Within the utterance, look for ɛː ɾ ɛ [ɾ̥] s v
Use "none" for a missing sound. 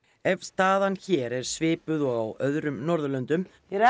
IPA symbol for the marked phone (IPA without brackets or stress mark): ɾ̥